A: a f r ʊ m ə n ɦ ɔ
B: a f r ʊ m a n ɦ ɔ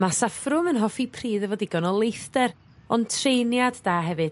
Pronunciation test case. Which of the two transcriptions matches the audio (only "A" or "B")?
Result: A